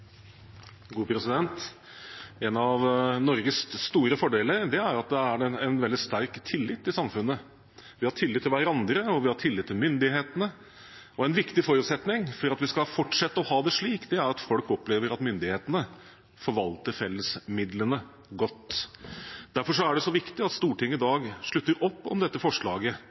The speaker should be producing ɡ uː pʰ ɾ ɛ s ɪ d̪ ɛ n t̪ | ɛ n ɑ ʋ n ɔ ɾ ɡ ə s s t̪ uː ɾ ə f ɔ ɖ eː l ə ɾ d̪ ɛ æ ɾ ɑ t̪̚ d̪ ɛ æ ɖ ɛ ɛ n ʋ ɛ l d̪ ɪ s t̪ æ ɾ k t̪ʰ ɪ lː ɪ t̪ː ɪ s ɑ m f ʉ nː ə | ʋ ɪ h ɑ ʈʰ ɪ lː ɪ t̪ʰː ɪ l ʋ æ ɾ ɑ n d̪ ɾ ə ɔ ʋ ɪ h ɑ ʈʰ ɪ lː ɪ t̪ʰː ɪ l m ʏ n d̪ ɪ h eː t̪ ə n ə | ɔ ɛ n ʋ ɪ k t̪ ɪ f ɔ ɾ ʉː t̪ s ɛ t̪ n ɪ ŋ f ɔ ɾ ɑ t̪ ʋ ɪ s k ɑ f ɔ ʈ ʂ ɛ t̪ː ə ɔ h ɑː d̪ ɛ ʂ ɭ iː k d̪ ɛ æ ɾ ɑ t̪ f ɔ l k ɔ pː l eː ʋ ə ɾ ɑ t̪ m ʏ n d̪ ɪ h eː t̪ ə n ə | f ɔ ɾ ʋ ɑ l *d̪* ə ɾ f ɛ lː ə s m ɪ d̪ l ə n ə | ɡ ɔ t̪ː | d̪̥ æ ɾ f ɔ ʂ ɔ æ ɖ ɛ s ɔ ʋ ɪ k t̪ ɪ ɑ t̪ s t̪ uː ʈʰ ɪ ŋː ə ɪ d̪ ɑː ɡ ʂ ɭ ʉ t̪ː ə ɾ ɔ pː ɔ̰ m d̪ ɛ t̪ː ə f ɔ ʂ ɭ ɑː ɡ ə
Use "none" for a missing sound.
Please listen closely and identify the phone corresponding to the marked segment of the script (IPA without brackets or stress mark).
t̪